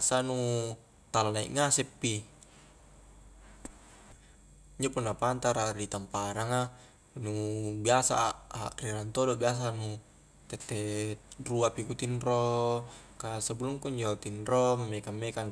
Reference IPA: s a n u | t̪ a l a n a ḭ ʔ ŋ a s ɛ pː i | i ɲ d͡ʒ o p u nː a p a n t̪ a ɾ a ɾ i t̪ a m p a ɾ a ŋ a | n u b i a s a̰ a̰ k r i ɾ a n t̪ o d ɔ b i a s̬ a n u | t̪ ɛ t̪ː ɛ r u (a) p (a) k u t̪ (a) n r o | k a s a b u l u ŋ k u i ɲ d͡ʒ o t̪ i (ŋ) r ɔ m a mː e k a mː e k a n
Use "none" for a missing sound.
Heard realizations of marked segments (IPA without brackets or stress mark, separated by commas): a, i, i, n